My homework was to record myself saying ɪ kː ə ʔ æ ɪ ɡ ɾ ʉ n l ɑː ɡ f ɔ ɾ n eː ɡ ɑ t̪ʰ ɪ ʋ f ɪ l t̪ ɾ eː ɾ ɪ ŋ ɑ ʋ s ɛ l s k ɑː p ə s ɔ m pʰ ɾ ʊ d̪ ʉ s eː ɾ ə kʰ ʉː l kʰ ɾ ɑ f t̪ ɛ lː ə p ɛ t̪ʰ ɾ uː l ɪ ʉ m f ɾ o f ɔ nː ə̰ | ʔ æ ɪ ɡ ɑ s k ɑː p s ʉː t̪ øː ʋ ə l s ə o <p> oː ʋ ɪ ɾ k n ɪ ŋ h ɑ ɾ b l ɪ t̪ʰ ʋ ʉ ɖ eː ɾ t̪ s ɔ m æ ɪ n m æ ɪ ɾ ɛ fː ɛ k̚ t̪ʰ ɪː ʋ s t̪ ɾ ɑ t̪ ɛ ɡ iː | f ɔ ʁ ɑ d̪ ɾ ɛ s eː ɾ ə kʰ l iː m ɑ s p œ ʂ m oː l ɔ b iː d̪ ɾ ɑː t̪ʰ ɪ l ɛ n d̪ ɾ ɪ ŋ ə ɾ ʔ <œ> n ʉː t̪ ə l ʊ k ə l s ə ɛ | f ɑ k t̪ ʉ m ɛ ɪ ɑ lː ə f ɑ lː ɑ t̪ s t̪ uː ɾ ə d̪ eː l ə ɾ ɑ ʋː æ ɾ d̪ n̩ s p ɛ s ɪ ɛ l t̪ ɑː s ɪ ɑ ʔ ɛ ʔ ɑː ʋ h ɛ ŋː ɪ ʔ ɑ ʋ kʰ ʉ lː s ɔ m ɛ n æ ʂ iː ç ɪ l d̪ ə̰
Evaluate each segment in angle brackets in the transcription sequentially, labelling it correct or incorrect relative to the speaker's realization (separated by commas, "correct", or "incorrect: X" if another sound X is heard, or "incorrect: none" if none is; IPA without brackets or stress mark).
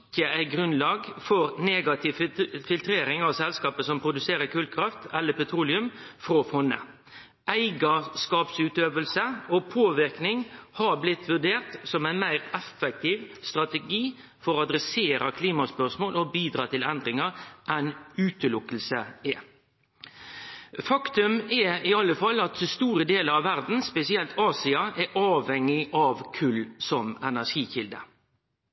incorrect: pʰ, incorrect: ɛ